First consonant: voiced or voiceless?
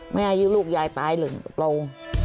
voiced